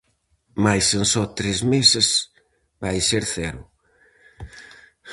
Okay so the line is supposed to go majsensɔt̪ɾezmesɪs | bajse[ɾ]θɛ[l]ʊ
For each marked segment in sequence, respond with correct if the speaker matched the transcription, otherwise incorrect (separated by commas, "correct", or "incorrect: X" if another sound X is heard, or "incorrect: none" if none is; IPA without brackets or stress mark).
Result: correct, incorrect: ɾ